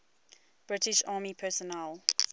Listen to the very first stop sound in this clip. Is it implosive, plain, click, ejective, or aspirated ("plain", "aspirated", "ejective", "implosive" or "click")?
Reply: plain